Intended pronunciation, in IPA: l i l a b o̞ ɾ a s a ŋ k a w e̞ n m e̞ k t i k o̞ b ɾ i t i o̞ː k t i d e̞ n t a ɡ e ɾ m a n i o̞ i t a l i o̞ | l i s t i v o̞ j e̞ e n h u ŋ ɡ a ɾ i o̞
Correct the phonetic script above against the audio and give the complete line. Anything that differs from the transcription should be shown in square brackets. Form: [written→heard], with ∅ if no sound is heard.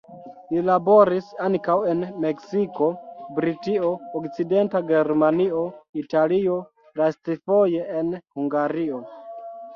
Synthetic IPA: l i l a b o̞ ɾ [a→i] s a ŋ k a w e̞ n m e̞ k [t→s] i k o̞ b ɾ i t i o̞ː k [t→t͡s] i d e̞ n t a ɡ e ɾ m a n i o̞ i t a l i o̞ | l [i→a] s t i [v→f] o̞ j e̞ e n h u ŋ ɡ a ɾ i o̞